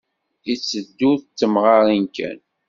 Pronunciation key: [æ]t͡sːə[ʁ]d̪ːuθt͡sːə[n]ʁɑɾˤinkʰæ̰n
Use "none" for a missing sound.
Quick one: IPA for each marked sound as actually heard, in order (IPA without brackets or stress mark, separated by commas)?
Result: i, none, m